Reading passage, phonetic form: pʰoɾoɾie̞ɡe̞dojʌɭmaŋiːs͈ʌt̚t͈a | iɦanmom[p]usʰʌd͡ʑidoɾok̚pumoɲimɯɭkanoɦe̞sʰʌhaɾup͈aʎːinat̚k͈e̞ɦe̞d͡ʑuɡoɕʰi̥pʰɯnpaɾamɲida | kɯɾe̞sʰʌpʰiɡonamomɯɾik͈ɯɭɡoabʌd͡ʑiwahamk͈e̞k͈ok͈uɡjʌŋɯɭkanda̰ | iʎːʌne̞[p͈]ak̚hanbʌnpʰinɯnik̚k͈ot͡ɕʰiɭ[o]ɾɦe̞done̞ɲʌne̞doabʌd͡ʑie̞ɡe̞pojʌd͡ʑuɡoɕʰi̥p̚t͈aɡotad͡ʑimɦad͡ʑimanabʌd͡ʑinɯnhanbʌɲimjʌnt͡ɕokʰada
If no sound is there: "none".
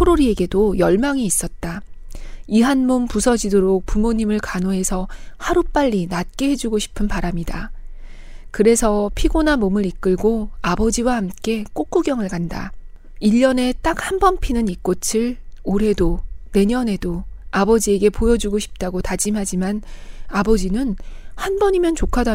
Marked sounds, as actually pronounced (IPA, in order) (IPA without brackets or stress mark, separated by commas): p, t͈, o